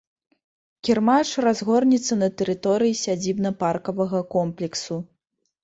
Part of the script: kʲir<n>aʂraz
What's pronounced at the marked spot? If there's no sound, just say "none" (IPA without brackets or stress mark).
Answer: m